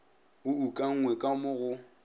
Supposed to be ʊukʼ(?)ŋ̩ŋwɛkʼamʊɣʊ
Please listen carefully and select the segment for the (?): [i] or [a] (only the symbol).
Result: a